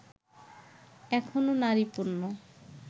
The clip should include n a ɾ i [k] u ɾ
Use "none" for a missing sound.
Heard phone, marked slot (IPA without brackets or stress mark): p